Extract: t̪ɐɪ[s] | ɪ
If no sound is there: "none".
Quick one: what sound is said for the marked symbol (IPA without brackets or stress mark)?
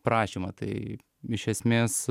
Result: none